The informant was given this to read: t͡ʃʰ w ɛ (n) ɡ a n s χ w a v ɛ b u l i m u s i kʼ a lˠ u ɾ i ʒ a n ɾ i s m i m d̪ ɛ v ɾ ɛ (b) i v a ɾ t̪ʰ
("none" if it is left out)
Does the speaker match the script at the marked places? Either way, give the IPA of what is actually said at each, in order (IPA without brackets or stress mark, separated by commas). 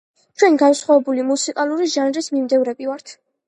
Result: n, b